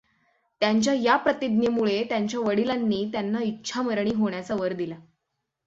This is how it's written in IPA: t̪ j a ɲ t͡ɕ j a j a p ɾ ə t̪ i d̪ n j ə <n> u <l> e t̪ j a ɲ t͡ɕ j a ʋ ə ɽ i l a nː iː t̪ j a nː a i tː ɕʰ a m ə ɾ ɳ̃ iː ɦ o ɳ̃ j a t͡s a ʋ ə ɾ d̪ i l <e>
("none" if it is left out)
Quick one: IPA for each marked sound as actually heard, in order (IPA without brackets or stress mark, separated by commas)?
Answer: m, ɭ, a